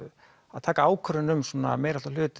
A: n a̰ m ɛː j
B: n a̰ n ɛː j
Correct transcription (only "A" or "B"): A